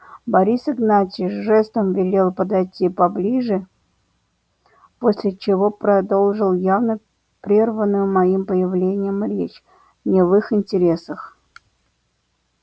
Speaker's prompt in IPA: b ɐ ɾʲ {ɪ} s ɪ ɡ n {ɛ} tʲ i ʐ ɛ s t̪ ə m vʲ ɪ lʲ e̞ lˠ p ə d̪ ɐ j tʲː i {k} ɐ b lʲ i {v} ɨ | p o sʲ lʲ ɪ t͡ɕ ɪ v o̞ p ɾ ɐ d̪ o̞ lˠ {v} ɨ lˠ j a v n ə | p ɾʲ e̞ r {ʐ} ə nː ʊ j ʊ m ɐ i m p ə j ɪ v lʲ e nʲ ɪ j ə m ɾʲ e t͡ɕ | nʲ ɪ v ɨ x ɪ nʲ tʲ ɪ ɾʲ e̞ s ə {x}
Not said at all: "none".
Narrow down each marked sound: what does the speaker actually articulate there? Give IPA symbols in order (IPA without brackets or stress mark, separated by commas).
i, a, p, ʐ, ʐ, v, x